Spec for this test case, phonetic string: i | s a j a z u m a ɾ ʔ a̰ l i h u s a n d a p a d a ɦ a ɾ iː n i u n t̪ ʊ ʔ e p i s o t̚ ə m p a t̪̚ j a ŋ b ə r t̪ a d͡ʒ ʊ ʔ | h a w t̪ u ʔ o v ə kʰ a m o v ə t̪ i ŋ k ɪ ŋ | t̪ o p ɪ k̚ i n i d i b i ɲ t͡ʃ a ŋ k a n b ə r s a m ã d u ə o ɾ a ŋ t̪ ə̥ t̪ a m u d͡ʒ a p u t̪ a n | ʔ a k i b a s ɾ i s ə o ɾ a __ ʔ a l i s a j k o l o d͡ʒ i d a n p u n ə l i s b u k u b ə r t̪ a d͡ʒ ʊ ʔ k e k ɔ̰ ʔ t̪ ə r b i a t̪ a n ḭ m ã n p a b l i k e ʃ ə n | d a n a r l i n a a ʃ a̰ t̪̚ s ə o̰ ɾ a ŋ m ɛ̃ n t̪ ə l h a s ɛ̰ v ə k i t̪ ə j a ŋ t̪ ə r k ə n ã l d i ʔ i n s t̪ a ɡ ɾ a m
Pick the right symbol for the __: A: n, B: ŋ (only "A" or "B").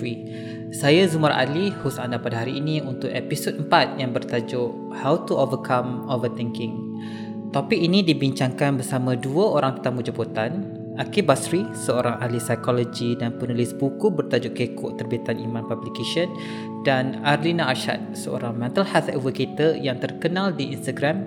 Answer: B